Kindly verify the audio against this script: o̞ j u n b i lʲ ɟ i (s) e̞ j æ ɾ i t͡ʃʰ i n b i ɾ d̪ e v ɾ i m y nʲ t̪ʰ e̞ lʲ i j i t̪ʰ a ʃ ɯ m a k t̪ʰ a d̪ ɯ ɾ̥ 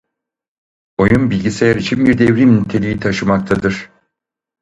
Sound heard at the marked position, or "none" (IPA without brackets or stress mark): s